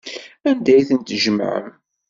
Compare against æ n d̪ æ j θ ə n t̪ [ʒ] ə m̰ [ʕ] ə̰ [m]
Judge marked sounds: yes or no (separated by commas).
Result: yes, yes, yes